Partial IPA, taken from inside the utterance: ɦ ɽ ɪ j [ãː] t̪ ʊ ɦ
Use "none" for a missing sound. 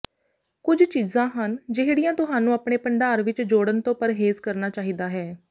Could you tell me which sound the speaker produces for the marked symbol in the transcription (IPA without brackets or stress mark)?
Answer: ãː